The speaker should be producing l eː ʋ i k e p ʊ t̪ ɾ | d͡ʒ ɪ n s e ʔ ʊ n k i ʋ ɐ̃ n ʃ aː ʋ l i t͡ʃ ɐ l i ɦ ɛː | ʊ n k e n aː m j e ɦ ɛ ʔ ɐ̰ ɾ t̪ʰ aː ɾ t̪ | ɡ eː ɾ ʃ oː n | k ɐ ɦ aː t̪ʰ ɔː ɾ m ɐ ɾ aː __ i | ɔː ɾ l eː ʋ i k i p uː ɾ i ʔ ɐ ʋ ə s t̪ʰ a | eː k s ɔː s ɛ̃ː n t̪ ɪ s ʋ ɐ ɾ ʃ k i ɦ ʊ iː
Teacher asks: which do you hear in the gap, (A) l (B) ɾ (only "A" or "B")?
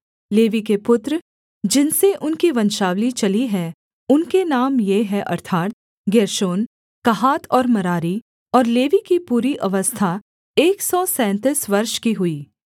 B